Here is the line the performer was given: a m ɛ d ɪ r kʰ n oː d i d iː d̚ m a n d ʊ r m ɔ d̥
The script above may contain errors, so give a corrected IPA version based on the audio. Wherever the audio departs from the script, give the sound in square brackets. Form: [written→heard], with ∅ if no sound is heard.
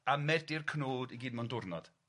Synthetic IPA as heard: a m ɛ d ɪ r kʰ n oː d i [d→ɡ] iː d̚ m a n d ʊ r [m→n] ɔ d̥